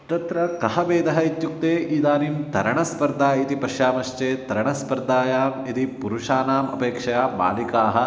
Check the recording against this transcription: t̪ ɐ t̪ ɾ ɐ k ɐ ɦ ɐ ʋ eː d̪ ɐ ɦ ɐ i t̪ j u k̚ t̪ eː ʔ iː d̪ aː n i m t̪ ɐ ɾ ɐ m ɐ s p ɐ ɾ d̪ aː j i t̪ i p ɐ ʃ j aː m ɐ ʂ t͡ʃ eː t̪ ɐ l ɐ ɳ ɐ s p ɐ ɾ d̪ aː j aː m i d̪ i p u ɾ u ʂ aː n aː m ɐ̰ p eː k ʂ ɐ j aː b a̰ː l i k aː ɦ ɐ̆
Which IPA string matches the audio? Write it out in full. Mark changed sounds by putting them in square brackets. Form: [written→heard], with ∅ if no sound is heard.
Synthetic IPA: t̪ ɐ t̪ ɾ ɐ k ɐ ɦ ɐ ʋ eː d̪ ɐ ɦ ɐ i t̪ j u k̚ t̪ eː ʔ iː d̪ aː n i m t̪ ɐ ɾ ɐ [m→ɳ] ɐ s p ɐ ɾ d̪ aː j i t̪ i p ɐ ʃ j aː m ɐ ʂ t͡ʃ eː t̪ ɐ [l→ɾ] ɐ ɳ ɐ s p ɐ ɾ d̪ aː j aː m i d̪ i p u ɾ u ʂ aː n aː m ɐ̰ p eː k ʂ ɐ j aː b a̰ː l i k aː ɦ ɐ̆